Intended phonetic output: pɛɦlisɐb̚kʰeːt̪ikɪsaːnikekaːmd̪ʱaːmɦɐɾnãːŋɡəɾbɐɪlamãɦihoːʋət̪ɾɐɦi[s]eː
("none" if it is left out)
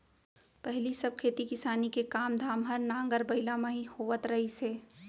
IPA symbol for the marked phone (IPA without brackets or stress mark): s